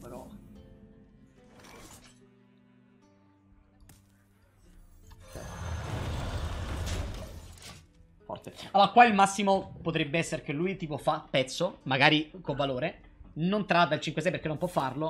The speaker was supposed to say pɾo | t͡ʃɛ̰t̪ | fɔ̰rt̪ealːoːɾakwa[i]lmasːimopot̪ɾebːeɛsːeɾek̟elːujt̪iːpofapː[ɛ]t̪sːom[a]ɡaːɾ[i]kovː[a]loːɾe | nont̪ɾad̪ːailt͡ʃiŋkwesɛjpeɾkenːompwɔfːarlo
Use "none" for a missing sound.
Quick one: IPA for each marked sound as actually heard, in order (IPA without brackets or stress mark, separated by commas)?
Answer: i, ɛ, a, i, a